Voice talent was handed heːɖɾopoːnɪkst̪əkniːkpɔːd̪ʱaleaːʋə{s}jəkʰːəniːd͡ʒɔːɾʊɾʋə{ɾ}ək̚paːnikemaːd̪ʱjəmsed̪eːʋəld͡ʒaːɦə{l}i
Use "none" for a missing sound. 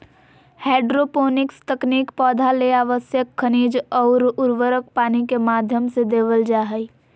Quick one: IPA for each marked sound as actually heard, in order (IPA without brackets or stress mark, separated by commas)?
s, ɾ, none